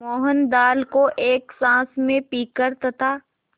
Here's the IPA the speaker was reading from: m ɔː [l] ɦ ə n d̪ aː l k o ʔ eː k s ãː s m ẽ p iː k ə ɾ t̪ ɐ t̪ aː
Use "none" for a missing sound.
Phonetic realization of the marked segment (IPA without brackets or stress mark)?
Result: none